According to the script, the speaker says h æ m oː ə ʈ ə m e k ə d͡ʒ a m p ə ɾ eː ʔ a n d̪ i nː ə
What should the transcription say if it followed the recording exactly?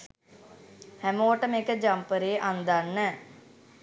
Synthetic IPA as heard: h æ m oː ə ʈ ə m e k ə d͡ʒ a m p ə ɾ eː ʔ a n d̪ a nː ə